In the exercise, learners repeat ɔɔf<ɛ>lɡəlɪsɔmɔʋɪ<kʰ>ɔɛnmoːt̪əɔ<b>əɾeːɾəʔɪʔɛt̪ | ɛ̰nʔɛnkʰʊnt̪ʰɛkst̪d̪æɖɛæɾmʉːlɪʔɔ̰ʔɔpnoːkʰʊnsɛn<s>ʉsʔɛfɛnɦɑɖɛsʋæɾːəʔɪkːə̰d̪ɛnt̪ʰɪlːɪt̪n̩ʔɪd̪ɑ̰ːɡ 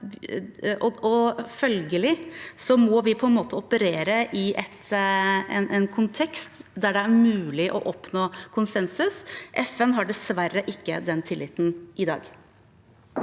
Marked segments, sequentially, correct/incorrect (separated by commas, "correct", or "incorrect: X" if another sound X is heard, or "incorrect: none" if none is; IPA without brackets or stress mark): incorrect: œ, incorrect: pʰ, incorrect: p, correct